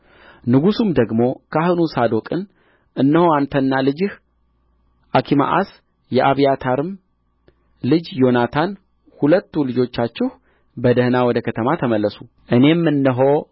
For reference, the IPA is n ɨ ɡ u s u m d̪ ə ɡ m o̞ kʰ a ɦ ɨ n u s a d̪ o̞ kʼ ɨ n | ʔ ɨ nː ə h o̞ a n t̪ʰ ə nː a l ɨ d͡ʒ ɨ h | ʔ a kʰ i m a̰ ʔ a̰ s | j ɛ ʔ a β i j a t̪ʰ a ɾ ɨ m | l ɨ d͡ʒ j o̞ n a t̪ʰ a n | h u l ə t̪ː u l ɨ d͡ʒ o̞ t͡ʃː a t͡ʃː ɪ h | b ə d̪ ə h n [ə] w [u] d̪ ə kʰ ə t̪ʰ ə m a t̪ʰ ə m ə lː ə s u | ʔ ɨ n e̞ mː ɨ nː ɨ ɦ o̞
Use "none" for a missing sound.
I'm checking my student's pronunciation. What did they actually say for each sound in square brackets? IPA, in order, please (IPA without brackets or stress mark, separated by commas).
a, ɔ